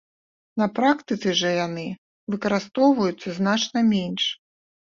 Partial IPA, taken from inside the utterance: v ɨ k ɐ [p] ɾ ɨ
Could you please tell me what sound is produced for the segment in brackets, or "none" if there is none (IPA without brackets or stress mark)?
none